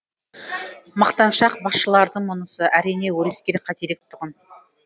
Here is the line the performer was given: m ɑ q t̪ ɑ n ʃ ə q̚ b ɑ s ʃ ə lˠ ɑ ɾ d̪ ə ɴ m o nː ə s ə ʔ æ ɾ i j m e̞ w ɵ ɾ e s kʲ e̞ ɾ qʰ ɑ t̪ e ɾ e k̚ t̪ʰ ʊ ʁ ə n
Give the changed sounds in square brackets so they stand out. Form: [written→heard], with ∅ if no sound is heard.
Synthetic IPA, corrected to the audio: m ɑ q t̪ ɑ n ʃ [ə→ɑ] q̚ b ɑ s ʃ ə lˠ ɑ ɾ d̪ ə ɴ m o [nː→n] ə s ə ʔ æ ɾ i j [m→n] e̞ w ɵ ɾ e s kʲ e̞ ɾ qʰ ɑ t̪ e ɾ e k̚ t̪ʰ ʊ ʁ ə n